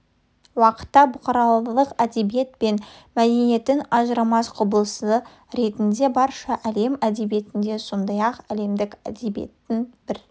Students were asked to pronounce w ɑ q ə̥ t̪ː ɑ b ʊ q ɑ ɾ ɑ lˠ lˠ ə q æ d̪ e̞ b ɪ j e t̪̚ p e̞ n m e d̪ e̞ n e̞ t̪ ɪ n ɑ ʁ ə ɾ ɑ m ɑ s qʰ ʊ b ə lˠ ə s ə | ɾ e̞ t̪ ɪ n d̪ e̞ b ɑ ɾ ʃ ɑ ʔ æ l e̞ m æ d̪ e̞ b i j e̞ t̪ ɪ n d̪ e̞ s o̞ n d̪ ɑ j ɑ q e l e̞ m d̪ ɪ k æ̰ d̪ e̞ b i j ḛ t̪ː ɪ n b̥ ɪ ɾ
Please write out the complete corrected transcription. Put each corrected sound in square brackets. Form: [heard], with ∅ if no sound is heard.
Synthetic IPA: w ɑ q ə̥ t̪ː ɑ b ʊ q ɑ ɾ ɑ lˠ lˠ ə q æ d̪ e̞ b [i] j e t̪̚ p e̞ n m [æ] d̪ e̞ n e̞ t̪ ɪ n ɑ [ʒ] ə ɾ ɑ m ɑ s qʰ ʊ b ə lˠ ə s ə | ɾ e̞ t̪ ɪ n d̪ e̞ b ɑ ɾ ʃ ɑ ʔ æ l e̞ m æ d̪ e̞ b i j e̞ t̪ ɪ n d̪ e̞ s o̞ n d̪ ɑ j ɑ q [æ] l e̞ m d̪ ɪ k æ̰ d̪ e̞ b i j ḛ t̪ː ɪ n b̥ ɪ ɾ